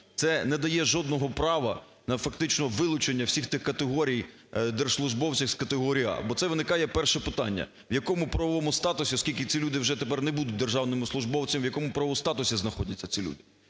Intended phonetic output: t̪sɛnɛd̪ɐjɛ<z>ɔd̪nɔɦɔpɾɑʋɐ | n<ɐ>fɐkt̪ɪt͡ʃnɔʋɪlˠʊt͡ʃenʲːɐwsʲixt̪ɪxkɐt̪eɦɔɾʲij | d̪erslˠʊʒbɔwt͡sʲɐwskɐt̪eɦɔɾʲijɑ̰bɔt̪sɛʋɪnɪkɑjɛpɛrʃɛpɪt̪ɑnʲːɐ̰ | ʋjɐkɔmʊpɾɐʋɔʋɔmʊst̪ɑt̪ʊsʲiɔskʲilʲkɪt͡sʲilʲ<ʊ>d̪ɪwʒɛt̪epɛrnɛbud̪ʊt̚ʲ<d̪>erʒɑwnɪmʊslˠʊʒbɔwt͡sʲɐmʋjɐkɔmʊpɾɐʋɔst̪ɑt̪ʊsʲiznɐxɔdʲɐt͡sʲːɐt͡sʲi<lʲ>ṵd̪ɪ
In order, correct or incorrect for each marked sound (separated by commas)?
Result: incorrect, correct, incorrect, correct, correct